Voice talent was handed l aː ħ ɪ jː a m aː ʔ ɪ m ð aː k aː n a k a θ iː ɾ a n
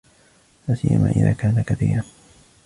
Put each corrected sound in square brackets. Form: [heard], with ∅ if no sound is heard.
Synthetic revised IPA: l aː [s] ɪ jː a m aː ʔ ɪ [∅] ð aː k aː n a k a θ iː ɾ a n